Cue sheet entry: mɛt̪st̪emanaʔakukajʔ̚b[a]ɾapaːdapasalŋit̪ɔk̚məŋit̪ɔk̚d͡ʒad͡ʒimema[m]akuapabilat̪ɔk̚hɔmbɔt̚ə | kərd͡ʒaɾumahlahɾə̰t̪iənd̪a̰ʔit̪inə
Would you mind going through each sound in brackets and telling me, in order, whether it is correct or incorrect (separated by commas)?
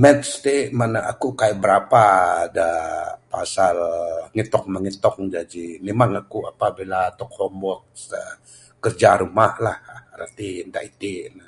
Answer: incorrect, incorrect